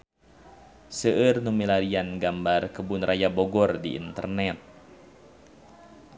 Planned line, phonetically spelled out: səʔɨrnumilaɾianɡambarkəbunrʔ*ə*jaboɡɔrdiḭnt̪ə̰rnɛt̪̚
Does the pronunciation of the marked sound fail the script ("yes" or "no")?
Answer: yes